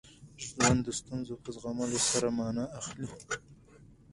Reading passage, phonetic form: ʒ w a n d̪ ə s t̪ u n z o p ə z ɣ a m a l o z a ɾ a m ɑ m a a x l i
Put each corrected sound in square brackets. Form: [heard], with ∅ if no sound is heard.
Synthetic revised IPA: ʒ w a n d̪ ə s t̪ u n z o p ə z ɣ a m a l o [s] a ɾ a m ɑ [n] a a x l i